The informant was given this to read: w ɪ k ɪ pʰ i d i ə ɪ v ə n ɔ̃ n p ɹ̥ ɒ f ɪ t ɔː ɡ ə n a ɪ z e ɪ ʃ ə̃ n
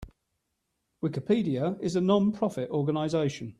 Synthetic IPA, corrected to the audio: w ɪ k ɪ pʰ iː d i ə ɪ z ə n ɒ̃ n pʰ ɹ̥ ɒ f ɪ t ɔː ɡ ə n a ɪ z e ɪ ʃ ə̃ n